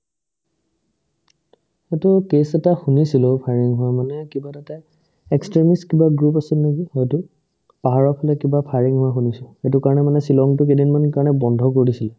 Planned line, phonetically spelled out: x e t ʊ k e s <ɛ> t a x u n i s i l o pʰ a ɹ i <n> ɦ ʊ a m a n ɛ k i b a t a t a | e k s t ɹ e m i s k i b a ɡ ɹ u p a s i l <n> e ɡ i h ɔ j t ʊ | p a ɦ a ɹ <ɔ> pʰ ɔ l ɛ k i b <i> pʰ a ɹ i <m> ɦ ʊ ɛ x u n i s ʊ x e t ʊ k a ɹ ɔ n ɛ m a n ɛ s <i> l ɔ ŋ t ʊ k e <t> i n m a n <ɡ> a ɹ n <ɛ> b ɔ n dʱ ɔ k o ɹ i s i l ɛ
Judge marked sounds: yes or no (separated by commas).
yes, no, yes, yes, no, no, yes, no, no, yes